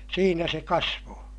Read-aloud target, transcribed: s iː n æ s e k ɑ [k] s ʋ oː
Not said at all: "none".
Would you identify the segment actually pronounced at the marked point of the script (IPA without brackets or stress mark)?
none